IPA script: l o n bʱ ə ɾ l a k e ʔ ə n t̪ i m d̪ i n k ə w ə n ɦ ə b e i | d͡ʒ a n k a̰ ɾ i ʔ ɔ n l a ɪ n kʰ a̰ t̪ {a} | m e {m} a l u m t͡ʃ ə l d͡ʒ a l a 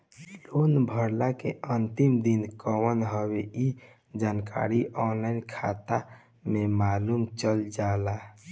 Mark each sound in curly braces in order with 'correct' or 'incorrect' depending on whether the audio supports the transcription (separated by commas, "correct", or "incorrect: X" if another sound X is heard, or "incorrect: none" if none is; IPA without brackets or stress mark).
correct, correct